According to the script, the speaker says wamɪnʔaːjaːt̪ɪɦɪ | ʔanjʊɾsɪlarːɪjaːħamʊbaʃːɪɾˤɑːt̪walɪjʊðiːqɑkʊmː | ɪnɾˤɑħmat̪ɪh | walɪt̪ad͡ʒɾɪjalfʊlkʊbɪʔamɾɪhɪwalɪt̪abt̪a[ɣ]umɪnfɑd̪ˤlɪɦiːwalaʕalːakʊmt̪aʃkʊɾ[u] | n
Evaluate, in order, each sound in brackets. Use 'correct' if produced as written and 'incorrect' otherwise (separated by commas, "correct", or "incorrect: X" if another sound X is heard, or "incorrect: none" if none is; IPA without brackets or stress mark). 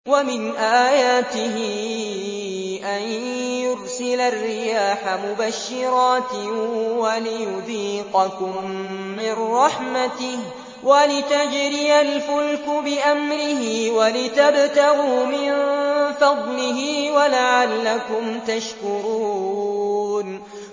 correct, incorrect: uː